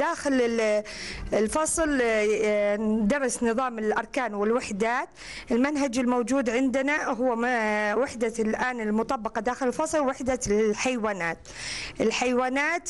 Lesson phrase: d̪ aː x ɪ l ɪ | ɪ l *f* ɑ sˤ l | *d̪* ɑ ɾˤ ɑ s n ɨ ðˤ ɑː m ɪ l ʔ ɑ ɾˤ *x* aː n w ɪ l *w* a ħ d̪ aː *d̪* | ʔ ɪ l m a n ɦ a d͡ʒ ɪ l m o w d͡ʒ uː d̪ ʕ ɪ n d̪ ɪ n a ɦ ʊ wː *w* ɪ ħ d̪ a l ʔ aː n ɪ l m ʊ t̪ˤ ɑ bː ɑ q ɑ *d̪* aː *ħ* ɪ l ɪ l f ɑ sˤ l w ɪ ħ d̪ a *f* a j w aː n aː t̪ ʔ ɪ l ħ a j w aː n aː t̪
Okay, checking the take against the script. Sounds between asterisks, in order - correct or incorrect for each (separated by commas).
correct, correct, incorrect, correct, incorrect, correct, correct, incorrect, incorrect